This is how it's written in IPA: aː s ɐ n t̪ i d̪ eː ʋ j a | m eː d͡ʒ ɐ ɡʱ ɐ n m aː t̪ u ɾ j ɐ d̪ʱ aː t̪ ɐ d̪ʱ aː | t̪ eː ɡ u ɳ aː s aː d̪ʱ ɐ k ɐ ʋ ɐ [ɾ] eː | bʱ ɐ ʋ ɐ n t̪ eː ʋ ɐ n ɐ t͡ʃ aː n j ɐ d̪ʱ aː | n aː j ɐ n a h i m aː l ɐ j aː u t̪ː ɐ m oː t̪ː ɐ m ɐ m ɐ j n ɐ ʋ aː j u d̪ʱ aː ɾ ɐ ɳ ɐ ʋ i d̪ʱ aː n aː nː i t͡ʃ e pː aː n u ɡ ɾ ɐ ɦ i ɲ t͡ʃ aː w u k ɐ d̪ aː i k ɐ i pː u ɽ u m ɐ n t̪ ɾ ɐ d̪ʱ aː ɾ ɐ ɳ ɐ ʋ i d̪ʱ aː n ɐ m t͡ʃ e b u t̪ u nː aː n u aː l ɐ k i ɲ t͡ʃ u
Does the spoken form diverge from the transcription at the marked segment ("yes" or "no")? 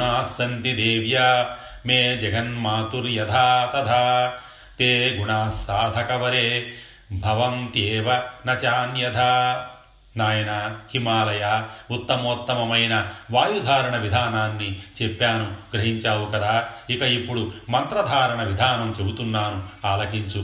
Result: no